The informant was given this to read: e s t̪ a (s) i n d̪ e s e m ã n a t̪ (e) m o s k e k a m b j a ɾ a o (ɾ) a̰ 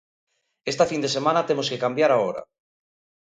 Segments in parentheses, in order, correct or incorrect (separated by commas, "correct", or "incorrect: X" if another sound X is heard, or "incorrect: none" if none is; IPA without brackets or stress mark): incorrect: f, correct, correct